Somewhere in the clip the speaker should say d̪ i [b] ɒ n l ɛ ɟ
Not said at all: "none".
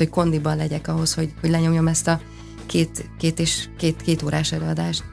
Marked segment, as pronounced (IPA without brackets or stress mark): b